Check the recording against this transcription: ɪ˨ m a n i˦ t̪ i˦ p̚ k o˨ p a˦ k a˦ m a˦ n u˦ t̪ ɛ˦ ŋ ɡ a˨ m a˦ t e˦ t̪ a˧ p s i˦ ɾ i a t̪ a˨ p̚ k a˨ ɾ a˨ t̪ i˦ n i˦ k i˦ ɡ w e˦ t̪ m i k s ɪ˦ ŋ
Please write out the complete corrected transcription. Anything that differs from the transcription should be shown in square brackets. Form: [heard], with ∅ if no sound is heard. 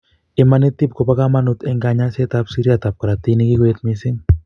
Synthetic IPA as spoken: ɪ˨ m a n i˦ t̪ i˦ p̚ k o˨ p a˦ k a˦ m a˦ n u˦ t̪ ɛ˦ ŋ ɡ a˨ [ɲ] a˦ [s] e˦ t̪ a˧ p s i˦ ɾ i a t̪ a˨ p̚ k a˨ ɾ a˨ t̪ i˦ n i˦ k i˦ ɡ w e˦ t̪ m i [∅] s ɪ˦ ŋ